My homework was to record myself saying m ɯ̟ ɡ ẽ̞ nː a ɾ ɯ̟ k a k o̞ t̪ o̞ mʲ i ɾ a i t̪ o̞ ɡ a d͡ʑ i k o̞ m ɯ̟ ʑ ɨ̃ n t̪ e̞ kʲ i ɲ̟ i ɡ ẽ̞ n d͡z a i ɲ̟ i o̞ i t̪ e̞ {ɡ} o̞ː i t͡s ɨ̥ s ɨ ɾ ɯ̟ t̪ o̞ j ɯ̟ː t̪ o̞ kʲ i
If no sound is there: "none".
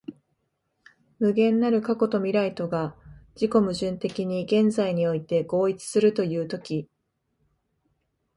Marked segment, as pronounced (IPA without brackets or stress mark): ɡ